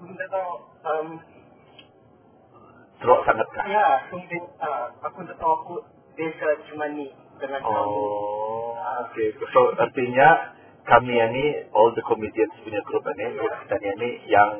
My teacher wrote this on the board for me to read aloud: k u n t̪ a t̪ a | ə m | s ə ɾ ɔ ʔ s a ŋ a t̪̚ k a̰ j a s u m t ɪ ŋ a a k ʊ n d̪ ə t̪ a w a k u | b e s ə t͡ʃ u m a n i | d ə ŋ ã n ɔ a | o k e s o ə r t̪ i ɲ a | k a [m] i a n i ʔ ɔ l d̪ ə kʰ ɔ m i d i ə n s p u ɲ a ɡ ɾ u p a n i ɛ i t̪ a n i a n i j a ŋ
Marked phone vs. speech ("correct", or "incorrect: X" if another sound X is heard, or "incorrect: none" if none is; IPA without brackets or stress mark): correct